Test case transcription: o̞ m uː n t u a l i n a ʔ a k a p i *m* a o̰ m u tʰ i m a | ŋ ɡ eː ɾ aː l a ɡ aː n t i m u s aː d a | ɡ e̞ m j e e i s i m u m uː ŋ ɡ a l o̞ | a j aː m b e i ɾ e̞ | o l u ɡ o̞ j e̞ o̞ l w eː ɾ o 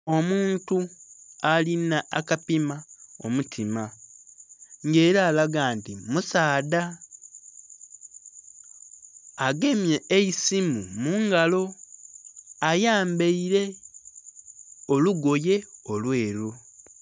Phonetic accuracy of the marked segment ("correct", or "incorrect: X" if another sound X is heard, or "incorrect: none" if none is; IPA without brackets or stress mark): correct